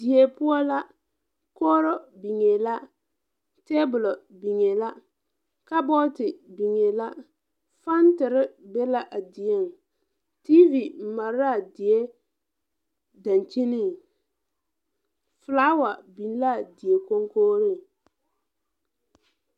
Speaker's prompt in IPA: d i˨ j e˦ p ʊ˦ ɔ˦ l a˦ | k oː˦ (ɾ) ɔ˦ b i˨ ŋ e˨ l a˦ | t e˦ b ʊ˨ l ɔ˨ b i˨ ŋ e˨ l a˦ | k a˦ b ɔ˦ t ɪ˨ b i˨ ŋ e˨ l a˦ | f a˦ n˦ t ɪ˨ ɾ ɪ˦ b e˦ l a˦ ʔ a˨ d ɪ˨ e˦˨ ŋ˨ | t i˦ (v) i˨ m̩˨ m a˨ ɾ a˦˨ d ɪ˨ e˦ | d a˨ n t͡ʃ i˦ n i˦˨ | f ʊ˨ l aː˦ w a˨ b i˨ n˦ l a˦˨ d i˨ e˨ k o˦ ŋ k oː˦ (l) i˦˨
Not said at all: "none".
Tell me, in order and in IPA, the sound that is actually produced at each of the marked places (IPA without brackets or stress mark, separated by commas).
ɾ, v, ɾ